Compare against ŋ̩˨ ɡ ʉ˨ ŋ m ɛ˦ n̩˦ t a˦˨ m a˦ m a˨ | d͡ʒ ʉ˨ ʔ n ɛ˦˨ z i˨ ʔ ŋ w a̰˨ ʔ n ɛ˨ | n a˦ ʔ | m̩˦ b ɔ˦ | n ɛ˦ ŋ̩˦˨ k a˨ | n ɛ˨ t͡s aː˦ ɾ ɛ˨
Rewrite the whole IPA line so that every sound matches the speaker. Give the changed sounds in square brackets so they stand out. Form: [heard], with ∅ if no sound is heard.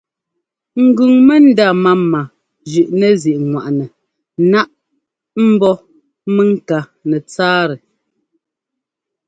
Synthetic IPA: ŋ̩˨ ɡ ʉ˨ ŋ m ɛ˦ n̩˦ [d] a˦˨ m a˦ m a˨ | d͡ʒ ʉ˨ ʔ n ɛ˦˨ z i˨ ʔ ŋ w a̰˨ ʔ n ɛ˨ | n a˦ ʔ | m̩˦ b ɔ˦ | [m] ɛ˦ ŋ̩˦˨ k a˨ | n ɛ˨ t͡s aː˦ ɾ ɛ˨